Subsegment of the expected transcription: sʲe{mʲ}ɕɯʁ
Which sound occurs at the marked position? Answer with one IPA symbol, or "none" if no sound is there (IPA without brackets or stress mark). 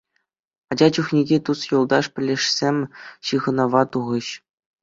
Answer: mʲ